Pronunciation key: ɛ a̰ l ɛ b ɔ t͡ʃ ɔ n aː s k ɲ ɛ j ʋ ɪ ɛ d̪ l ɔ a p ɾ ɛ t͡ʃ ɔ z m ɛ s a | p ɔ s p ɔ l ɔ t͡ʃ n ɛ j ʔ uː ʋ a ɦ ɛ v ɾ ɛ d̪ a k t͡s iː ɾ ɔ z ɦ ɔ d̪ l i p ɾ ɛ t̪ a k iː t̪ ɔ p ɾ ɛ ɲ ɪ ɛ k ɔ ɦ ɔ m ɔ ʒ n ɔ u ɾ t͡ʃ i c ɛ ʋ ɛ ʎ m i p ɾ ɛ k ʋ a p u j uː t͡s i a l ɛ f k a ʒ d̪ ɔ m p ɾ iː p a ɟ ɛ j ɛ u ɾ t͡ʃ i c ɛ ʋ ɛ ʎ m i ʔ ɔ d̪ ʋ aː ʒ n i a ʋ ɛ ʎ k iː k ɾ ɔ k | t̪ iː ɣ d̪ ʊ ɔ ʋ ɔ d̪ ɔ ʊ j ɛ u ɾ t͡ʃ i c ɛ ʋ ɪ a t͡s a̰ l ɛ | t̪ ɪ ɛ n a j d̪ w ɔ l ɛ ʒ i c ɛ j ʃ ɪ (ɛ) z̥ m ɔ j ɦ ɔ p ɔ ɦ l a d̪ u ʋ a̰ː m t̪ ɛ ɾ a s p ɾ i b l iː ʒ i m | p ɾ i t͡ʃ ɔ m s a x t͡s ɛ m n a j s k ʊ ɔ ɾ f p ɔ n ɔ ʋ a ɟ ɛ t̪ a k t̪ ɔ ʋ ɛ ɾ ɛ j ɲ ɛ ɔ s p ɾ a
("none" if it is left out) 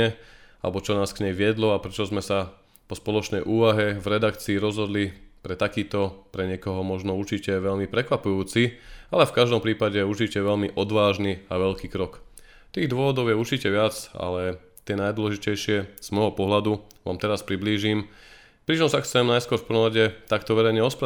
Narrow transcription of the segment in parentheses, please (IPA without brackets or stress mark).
ɛ